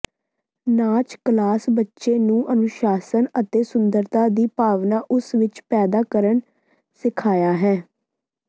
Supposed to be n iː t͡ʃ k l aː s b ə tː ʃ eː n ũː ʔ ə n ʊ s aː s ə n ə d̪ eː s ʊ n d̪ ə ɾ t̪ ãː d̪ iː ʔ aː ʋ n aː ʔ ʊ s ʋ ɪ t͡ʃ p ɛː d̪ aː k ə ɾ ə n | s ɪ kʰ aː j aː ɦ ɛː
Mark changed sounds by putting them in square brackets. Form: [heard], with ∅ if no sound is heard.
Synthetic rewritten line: n [aː] t͡ʃ k l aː s b ə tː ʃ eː n ũː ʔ ə n ʊ [ʃ] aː s ə n ə [t̪] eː s ʊ n d̪ ə ɾ t̪ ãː d̪ iː [p] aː ʋ n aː ʔ ʊ s ʋ ɪ t͡ʃ p ɛː d̪ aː k ə ɾ ə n | s ɪ kʰ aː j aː ɦ ɛː